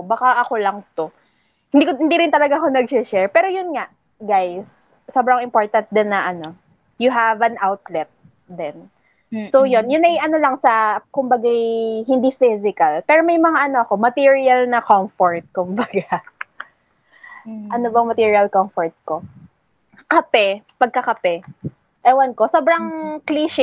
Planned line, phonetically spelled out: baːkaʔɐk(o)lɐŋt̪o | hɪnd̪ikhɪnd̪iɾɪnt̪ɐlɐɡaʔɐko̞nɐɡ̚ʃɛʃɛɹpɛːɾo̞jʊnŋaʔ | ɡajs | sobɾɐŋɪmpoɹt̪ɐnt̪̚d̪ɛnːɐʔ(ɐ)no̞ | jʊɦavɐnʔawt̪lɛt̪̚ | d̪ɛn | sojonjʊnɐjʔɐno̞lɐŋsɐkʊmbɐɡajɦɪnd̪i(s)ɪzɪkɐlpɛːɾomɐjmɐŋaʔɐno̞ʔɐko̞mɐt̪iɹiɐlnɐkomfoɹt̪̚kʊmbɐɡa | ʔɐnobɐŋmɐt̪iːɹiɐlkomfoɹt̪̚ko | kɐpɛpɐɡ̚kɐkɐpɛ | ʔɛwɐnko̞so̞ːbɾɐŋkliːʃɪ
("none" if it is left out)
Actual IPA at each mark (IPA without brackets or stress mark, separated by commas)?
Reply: o, ɐ, f